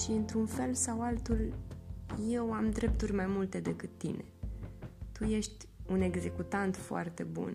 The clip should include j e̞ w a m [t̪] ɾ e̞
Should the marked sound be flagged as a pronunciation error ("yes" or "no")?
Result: yes